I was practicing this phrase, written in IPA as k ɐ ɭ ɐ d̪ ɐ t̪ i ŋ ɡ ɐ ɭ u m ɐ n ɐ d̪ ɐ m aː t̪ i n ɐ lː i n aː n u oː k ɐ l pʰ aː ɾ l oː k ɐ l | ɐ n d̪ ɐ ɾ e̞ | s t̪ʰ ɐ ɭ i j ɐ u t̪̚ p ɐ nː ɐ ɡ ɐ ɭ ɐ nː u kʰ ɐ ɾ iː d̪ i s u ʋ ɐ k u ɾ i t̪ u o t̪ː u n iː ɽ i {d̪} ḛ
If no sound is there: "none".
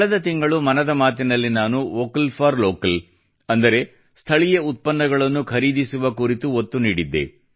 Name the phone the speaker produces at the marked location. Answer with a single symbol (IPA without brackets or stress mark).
d̪ː